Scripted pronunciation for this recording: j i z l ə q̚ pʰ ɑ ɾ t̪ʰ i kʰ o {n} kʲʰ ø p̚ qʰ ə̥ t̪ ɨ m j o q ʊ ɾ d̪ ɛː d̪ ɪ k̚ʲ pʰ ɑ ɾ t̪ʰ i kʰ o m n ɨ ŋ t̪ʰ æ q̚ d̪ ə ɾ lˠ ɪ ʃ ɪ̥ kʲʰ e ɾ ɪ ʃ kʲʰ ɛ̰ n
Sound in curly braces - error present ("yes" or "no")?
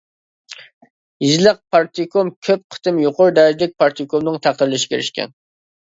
yes